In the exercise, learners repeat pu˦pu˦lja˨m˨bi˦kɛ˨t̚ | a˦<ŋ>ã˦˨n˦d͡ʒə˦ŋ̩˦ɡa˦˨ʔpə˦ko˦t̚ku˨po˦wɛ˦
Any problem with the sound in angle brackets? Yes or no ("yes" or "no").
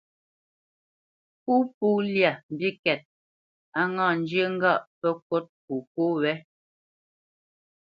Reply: no